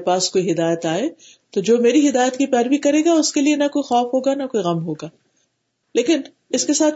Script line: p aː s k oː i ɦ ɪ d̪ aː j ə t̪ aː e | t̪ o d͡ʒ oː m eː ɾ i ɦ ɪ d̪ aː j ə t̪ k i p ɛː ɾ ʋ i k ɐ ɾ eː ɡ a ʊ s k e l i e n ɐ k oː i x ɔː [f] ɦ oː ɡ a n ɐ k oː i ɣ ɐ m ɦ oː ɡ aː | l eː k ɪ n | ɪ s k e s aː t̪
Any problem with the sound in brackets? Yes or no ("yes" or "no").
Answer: no